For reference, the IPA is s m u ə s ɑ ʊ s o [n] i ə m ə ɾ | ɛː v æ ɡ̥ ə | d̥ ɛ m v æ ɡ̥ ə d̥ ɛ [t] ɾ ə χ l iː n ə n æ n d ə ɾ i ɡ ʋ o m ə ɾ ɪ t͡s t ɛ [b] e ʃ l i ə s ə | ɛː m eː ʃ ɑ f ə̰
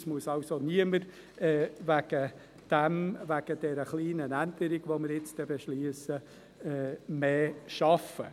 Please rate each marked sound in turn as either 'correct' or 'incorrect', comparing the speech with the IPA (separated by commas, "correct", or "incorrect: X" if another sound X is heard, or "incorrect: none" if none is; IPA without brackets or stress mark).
correct, incorrect: none, correct